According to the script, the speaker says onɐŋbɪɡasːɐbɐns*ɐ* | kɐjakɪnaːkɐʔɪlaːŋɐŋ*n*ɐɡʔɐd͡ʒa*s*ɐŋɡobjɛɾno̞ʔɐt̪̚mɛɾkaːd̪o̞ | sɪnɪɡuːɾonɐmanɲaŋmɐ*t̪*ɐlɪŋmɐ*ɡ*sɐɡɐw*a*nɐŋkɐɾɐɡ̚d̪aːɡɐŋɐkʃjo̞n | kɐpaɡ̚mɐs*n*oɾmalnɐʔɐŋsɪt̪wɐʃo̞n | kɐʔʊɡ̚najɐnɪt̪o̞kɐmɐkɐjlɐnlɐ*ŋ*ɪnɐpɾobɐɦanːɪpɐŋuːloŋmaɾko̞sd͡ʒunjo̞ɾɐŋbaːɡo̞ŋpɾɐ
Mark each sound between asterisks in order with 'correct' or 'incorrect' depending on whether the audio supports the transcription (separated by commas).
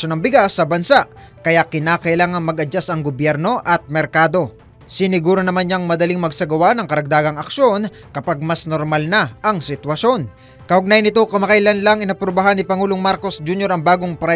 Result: incorrect, incorrect, correct, incorrect, correct, correct, correct, correct